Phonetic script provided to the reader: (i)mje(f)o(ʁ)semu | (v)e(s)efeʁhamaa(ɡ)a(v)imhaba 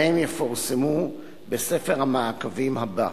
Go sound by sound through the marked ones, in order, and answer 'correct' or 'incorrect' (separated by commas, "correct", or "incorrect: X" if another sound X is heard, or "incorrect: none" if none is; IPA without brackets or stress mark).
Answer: incorrect: e, correct, correct, incorrect: b, correct, incorrect: k, correct